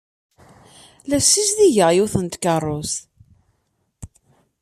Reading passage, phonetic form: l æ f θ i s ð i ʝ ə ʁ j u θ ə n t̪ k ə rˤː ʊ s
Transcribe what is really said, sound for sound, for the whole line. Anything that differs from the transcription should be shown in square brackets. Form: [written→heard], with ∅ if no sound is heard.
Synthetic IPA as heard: l æ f [θ→s] i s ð i ʝ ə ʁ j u θ ə n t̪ k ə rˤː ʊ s